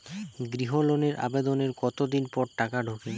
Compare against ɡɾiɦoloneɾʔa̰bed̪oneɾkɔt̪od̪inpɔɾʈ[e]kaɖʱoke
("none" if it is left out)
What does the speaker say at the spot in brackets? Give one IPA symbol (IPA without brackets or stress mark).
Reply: a